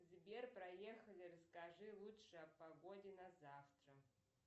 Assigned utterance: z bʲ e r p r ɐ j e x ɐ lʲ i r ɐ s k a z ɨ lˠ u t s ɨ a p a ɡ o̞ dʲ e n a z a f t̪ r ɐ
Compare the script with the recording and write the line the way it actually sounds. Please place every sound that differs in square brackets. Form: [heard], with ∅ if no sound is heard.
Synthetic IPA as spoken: z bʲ e r p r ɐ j e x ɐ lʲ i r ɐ s k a [ʐ] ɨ lˠ u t [ʂ] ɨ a p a ɡ o̞ dʲ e n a z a f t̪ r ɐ